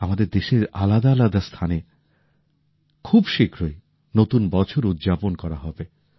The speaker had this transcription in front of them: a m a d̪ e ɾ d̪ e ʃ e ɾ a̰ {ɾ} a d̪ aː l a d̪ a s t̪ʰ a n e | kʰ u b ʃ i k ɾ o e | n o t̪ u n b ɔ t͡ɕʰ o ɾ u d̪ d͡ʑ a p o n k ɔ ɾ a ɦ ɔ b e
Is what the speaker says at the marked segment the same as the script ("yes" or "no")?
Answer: no